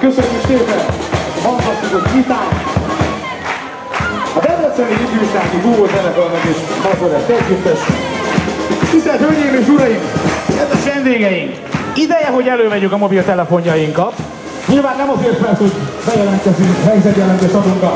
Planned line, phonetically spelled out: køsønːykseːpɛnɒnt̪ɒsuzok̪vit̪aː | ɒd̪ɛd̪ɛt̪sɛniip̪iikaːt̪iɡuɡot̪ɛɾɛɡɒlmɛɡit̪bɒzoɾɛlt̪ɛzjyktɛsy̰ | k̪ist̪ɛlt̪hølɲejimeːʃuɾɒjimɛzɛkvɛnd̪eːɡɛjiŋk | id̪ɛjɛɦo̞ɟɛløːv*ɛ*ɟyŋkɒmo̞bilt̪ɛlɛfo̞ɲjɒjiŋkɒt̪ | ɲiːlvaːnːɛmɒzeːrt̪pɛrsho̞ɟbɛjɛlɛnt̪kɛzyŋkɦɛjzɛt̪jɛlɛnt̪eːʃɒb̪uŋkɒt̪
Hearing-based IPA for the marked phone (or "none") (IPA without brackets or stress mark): ɛ